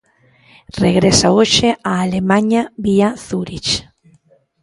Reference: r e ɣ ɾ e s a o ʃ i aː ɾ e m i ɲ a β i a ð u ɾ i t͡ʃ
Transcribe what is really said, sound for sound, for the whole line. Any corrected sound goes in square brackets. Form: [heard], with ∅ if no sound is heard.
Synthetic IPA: r e ɣ ɾ e s a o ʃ [e] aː [l] e m [a] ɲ a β i a [θ] u ɾ i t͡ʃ